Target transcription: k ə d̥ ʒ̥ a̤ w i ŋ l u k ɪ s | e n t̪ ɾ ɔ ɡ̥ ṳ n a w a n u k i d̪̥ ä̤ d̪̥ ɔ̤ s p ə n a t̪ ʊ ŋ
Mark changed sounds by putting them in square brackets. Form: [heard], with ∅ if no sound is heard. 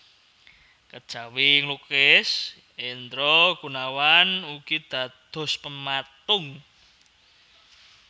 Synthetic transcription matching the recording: k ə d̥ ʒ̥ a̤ w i ŋ l u k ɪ s | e n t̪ ɾ ɔ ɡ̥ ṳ n a w a n u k i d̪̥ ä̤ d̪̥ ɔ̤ s p ə [m] a t̪ ʊ ŋ